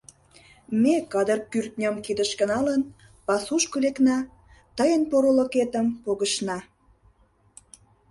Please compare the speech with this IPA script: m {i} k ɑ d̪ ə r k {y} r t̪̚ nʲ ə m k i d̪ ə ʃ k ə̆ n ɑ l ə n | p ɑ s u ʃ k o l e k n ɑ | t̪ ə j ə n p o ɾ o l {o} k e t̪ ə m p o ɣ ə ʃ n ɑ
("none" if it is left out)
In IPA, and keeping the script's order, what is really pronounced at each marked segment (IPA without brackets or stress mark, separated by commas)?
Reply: e, y, o